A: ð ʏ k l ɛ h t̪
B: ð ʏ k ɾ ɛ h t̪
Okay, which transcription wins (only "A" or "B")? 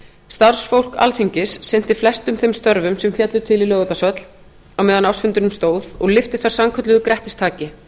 B